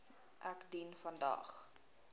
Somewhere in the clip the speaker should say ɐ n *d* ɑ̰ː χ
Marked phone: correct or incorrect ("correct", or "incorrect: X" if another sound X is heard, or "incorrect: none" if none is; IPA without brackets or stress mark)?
correct